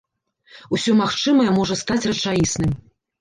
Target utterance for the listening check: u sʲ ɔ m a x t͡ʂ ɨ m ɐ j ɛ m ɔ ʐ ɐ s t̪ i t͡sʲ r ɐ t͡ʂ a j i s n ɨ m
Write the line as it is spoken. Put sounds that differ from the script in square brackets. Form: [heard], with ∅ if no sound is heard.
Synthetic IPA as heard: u sʲ ɔ m a x t͡ʂ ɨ m ɐ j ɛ m ɔ ʐ ɐ s t̪ [a] t͡sʲ r ɐ t͡ʂ a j i s n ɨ m